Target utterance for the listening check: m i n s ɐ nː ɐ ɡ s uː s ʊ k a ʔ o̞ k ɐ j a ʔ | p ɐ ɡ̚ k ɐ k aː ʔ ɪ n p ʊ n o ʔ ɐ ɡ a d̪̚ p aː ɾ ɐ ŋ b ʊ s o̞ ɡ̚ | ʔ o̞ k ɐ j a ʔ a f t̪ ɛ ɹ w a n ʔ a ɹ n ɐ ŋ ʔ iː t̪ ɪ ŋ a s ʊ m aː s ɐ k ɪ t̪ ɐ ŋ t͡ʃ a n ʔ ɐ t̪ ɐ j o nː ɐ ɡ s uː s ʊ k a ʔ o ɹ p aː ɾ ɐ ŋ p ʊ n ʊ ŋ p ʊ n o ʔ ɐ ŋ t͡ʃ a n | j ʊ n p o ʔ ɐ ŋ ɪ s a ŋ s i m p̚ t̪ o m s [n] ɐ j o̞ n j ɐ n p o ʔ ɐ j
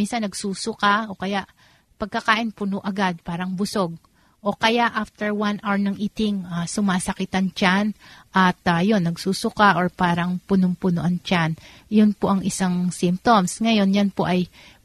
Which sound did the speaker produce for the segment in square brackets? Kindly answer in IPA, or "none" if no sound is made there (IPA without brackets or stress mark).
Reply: ŋ